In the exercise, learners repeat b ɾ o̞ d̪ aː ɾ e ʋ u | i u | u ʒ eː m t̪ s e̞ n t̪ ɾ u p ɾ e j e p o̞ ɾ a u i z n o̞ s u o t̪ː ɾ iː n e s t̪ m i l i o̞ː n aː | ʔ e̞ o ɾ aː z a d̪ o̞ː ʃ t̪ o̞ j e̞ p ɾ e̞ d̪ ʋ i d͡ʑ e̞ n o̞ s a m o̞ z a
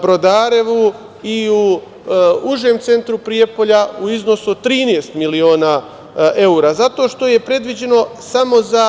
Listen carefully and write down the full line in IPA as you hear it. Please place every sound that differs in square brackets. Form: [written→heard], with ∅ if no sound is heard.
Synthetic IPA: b ɾ o̞ d̪ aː ɾ e ʋ u | i u | u ʒ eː m t̪ s e̞ n t̪ ɾ u p ɾ [e→i] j e p o̞ [ɾ→ʎ] a u i z n o̞ s u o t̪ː ɾ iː n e s t̪ m i l i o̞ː n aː | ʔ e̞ [o→u] ɾ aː z a [d̪→t̪] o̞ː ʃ t̪ o̞ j e̞ p ɾ e̞ d̪ ʋ i d͡ʑ e̞ n o̞ s a m o̞ z a